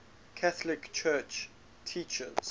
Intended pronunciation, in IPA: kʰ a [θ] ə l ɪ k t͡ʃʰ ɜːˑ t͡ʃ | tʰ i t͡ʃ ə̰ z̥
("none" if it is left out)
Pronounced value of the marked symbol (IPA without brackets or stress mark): θ